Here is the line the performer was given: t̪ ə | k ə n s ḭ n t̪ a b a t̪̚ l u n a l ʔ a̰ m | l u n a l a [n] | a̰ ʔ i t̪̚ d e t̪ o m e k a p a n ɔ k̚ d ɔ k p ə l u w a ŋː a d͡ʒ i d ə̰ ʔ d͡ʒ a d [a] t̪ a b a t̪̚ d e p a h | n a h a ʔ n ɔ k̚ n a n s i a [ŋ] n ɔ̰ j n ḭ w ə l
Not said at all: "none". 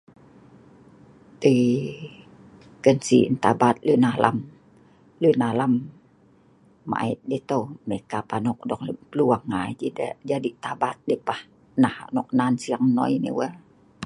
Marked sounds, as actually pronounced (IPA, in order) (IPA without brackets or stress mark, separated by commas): m, i, ŋ